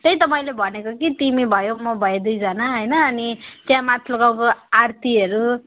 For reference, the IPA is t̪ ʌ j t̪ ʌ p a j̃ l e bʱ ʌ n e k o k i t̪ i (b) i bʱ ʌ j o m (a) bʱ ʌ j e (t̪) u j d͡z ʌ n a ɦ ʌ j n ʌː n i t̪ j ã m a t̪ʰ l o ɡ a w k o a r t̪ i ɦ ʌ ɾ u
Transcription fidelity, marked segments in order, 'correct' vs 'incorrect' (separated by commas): incorrect, incorrect, incorrect